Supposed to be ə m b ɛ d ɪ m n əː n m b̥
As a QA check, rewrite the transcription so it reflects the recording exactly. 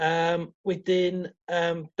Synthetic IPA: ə m w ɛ d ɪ n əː m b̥